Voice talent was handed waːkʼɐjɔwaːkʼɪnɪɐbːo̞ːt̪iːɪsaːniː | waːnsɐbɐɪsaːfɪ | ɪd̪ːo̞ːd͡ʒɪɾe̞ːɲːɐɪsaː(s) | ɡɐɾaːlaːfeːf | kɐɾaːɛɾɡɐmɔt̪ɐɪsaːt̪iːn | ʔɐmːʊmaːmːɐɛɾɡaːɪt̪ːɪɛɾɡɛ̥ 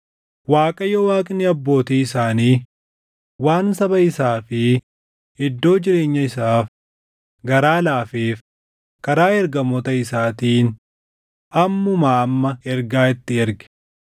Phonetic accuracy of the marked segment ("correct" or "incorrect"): incorrect